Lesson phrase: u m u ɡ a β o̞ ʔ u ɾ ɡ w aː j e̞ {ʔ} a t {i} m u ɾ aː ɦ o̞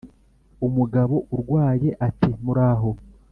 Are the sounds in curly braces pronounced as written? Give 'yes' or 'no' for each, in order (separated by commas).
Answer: yes, yes